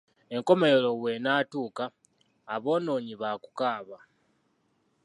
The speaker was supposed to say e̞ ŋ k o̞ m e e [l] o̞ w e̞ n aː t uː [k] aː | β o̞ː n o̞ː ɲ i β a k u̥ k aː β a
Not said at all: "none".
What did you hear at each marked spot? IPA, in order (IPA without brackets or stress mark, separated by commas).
l, k